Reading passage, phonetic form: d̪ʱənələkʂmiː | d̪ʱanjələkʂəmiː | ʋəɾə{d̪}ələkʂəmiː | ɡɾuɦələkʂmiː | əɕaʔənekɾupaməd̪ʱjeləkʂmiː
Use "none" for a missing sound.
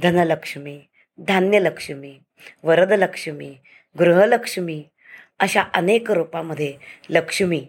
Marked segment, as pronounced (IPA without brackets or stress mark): d̪